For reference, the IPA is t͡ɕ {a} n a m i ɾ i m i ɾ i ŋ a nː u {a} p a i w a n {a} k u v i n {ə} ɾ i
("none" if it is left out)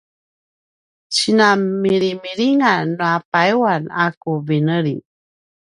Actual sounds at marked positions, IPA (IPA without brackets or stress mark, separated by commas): i, a, a, ə